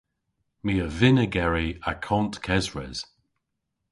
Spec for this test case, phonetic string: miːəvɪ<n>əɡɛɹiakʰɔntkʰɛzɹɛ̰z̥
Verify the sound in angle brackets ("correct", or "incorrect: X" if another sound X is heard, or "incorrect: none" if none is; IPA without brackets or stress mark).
correct